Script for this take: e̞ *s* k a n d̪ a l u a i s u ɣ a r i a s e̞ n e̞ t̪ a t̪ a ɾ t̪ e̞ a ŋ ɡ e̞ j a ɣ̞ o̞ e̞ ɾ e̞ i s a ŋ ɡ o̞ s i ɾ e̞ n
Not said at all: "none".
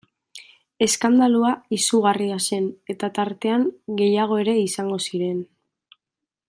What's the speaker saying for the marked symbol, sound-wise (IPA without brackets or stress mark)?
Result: s